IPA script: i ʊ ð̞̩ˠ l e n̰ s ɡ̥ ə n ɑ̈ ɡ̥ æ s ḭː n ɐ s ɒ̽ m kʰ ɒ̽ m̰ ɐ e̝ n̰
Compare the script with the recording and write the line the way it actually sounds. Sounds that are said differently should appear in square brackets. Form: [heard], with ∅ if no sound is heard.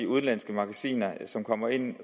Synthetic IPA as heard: i [u] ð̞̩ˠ l [æ] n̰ s ɡ̥ ə [m] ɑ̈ ɡ̥ æ s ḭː n ɐ s ɒ̽ m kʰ ɒ̽ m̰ ɐ e̝ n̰